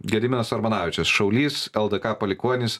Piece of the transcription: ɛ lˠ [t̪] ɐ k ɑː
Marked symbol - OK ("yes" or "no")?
no